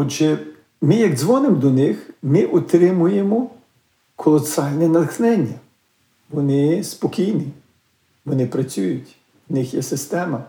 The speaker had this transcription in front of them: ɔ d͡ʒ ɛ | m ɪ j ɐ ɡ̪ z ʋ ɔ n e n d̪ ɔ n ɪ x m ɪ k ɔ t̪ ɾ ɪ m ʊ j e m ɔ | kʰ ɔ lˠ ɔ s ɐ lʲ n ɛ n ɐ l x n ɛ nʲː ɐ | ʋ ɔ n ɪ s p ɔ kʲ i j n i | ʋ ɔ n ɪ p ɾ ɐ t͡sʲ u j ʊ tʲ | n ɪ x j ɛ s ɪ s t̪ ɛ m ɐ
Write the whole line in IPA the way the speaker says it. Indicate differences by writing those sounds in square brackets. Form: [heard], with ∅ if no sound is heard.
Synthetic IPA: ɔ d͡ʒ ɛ | m ɪ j ɐ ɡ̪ z ʋ ɔ n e [m] d̪ ɔ n ɪ x m ɪ [ʔ] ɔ t̪ ɾ ɪ m ʊ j e m ɔ | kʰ ɔ lˠ ɔ s [ɑ] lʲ n ɛ n ɐ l x n ɛ nʲː ɐ | ʋ ɔ n ɪ s p ɔ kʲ i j n i | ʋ ɔ n ɪ p ɾ ɐ t͡sʲ u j ʊ tʲ | n ɪ x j ɛ s ɪ s t̪ ɛ m ɐ